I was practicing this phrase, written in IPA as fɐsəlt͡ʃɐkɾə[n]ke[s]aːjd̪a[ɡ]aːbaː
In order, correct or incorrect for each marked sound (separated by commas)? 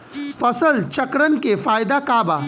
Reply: correct, incorrect, incorrect